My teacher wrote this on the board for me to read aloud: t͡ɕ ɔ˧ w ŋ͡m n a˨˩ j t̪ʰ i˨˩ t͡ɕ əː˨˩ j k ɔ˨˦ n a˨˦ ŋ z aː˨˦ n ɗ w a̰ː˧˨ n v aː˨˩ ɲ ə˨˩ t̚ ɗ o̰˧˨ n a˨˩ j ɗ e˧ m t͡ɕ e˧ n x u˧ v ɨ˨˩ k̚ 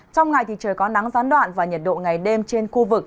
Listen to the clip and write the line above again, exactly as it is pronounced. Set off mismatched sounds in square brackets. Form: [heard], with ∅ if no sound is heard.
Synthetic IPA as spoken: t͡ɕ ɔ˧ w ŋ͡m [ŋ] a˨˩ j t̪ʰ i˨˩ t͡ɕ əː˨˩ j k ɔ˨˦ n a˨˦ ŋ z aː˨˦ n ɗ w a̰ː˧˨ n v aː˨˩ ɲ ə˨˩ t̚ ɗ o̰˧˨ [ŋ] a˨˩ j ɗ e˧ m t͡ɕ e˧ n x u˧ v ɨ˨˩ k̚

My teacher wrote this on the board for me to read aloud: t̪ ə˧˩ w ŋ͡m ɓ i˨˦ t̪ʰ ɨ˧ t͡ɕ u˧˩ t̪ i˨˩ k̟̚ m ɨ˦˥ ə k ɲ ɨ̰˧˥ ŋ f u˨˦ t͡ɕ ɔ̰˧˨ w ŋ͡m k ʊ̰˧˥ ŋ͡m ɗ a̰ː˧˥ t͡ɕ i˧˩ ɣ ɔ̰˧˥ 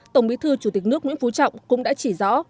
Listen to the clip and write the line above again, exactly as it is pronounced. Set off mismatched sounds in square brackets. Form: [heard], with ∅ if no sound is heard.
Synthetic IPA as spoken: t̪ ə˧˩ w ŋ͡m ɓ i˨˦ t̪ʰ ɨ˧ t͡ɕ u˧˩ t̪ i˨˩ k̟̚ [n] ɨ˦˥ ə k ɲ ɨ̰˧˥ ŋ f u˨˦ t͡ɕ ɔ̰˧˨ w ŋ͡m k ʊ̰˧˥ ŋ͡m ɗ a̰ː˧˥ t͡ɕ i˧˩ [z] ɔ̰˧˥

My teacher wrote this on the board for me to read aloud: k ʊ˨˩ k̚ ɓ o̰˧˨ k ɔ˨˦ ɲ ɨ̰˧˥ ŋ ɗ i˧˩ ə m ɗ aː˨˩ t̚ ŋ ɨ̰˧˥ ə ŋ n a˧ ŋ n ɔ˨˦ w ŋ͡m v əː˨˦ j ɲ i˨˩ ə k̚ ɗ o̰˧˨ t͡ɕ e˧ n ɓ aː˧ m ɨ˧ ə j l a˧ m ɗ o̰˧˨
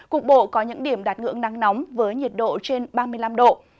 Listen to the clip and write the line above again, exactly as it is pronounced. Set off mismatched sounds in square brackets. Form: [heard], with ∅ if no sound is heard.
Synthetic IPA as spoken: k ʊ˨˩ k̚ ɓ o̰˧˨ k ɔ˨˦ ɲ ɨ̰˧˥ ŋ ɗ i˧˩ ə m ɗ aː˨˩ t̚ ŋ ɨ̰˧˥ ə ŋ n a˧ ŋ n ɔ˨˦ w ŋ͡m v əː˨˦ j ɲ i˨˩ ə [t̚] ɗ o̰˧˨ t͡ɕ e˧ n ɓ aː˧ m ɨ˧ ə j l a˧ m ɗ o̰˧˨

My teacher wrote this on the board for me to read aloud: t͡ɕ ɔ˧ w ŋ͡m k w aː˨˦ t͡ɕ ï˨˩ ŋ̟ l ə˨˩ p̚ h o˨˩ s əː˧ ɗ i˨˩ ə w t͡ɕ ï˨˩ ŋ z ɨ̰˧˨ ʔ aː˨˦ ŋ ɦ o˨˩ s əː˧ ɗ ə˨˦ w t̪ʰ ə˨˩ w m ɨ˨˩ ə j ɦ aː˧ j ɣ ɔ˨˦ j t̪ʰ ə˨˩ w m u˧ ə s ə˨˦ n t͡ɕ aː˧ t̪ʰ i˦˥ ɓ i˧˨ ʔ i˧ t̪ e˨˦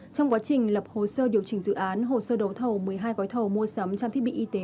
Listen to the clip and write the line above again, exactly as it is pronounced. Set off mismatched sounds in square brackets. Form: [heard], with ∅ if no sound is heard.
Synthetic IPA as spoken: t͡ɕ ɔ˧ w ŋ͡m k w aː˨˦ t͡ɕ ï˨˩ ŋ̟ l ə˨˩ p̚ h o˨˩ s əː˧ ɗ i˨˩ ə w t͡ɕ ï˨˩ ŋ z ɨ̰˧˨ ʔ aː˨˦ [n] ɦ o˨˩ s əː˧ ɗ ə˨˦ w t̪ʰ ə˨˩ w m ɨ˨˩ ə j ɦ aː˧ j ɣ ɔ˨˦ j t̪ʰ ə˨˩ w m u˧ ə s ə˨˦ [m] t͡ɕ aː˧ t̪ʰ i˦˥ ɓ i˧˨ ʔ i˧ t̪ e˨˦

